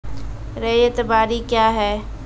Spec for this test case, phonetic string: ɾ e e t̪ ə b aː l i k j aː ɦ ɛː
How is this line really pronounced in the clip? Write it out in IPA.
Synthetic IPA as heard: ɾ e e t̪ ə b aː ɾ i k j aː ɦ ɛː